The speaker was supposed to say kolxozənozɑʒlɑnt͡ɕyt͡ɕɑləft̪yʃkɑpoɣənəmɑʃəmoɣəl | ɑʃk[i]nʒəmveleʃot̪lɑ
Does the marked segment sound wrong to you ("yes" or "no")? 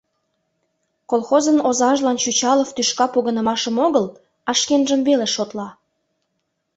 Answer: yes